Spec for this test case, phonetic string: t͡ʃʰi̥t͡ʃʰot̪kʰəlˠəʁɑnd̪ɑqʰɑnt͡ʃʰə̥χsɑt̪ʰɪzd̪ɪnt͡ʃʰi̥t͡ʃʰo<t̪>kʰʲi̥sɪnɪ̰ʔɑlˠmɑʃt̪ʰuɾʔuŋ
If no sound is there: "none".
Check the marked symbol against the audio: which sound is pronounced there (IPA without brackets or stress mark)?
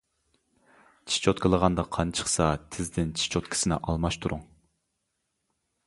t̪